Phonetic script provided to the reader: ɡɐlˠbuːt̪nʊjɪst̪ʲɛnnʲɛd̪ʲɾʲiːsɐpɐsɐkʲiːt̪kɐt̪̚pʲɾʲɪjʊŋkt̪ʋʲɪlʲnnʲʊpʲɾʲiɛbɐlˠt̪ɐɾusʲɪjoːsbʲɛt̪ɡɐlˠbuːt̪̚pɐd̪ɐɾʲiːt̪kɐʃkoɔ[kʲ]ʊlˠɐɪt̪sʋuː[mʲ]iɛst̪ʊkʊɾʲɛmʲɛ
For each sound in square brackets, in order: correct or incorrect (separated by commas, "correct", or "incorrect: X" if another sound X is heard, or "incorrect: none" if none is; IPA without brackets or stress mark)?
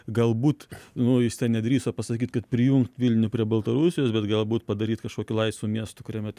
correct, correct